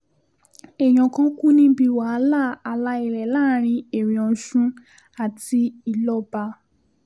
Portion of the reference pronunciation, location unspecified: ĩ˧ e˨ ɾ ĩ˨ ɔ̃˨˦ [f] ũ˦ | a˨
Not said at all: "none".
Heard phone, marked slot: ʃ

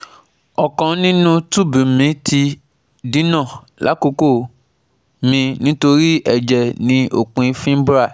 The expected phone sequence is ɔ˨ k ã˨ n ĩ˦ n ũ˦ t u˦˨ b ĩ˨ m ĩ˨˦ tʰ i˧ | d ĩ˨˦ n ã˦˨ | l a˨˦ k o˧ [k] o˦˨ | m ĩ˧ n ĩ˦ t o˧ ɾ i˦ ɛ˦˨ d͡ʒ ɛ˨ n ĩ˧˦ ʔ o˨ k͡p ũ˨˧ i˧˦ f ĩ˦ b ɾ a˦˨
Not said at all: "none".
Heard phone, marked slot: k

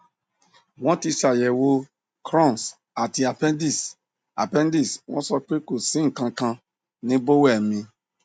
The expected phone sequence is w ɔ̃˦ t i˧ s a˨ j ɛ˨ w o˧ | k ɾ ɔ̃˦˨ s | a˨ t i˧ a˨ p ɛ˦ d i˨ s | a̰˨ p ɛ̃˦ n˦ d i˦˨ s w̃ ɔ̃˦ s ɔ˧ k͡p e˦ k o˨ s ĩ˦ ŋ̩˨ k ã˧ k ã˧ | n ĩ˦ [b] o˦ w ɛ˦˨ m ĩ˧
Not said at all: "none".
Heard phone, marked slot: b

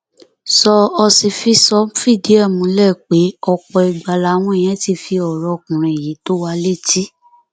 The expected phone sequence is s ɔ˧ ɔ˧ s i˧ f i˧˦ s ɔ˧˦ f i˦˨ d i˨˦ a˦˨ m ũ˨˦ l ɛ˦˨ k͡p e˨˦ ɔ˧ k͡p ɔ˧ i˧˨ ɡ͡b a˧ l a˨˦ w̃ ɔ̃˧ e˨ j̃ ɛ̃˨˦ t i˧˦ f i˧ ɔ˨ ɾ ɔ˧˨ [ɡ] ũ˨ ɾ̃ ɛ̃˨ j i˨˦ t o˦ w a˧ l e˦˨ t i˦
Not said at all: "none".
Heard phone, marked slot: k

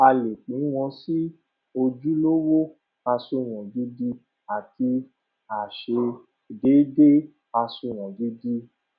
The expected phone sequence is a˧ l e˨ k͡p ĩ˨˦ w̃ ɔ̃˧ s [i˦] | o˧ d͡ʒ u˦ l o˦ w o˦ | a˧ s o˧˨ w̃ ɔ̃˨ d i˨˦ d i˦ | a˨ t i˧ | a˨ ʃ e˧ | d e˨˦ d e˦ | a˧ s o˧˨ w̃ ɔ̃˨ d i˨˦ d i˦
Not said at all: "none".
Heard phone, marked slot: i˦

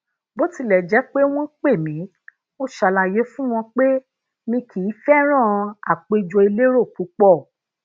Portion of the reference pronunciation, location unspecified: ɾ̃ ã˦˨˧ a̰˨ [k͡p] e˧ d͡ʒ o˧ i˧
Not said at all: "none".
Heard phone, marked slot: k͡p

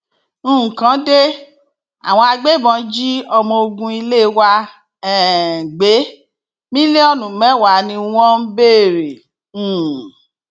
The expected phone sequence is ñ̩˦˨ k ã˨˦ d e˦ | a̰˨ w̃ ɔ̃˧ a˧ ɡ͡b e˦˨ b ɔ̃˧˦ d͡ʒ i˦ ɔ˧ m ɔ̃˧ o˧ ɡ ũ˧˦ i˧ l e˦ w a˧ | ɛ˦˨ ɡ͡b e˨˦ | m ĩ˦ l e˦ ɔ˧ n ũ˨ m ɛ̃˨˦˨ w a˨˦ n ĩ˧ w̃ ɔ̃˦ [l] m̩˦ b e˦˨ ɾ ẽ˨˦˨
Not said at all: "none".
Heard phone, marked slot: none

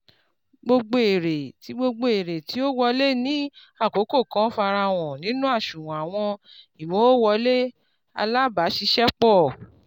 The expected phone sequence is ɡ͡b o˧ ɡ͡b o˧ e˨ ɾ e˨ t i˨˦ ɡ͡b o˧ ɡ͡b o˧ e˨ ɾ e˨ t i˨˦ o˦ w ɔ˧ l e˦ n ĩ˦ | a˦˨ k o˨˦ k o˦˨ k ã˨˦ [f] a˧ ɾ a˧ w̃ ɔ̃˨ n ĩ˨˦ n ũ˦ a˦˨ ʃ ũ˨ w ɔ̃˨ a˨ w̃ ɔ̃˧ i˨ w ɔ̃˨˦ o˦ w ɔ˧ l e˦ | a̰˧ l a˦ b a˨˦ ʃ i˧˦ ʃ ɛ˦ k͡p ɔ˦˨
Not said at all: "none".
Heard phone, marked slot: f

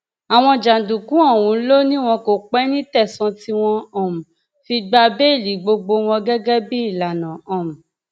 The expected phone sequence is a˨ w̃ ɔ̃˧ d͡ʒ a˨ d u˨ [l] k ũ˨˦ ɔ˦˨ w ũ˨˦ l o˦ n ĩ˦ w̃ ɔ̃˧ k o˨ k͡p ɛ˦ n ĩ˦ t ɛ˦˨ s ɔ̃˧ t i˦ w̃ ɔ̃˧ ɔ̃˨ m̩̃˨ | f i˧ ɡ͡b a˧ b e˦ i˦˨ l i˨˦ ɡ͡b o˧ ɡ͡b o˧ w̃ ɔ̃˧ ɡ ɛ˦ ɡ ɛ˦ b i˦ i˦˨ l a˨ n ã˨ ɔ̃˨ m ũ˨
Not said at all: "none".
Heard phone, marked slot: none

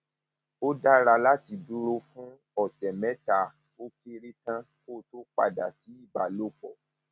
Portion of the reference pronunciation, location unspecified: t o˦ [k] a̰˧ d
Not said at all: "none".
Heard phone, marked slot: k͡p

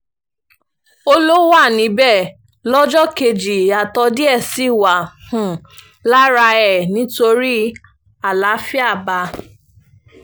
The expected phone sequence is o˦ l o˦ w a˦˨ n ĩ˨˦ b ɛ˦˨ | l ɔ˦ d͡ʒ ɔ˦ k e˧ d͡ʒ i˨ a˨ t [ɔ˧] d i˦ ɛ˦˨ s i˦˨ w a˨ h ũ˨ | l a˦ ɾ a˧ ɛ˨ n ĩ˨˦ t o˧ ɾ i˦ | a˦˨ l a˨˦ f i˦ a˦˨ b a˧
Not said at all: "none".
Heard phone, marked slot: ɔ˧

